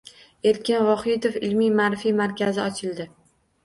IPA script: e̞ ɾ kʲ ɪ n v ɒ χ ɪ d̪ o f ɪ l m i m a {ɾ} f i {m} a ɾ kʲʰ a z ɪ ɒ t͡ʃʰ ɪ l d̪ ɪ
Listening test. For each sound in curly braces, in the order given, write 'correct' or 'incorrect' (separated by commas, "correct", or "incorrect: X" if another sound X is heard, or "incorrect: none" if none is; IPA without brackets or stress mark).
correct, correct